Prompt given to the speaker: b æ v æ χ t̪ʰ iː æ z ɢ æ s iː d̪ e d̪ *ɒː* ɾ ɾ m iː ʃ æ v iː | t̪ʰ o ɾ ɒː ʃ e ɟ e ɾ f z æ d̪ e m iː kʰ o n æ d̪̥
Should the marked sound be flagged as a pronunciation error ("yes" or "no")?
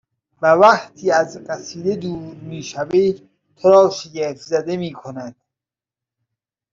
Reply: yes